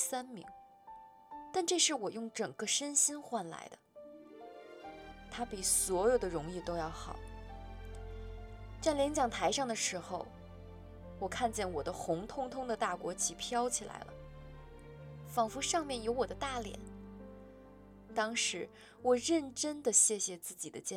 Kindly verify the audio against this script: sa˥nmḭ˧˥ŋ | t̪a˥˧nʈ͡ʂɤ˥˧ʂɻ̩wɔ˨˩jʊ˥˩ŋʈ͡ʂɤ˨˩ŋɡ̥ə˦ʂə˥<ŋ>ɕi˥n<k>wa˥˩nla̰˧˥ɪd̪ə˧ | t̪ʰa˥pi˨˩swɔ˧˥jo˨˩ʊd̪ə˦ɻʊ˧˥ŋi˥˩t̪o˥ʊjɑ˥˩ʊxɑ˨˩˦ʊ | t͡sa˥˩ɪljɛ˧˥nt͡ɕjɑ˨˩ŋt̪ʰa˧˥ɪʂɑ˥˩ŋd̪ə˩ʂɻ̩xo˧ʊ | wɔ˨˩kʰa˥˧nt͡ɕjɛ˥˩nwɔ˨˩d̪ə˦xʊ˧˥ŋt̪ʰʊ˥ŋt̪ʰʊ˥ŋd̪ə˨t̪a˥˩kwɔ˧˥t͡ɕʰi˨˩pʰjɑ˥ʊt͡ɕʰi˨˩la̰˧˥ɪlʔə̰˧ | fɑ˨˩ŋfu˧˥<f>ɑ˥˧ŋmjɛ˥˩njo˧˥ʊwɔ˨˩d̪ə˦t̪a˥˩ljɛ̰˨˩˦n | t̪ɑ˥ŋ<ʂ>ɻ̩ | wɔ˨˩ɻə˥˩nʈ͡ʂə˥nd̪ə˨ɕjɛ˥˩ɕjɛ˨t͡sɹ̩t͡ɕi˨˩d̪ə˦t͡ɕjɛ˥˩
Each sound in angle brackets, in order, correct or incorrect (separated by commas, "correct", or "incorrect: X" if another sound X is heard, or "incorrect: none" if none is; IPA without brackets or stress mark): incorrect: n, incorrect: x, incorrect: ʂ, correct